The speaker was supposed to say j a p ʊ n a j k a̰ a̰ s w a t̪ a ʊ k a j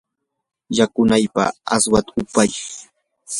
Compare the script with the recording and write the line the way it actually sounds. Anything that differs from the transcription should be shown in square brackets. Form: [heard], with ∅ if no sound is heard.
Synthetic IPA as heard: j a [k] ʊ n a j [p] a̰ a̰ s w a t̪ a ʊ [p] a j